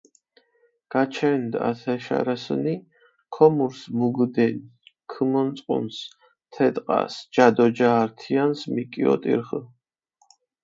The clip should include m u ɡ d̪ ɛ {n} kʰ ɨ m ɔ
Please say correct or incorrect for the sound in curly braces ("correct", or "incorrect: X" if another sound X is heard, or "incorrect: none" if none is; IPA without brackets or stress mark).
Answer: correct